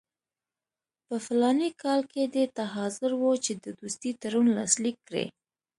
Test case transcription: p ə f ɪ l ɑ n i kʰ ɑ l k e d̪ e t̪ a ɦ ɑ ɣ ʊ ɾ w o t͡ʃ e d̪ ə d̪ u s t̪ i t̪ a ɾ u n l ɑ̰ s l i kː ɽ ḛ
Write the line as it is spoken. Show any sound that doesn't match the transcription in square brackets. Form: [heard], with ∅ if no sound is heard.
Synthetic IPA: p ə f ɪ l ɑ n i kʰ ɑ l k e d̪ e t̪ a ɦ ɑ [z] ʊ ɾ w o t͡ʃ e d̪ ə d̪ u s t̪ i t̪ a ɾ u n l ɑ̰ s l i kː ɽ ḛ